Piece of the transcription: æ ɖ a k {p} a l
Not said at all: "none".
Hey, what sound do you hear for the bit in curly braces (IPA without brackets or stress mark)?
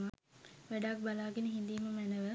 b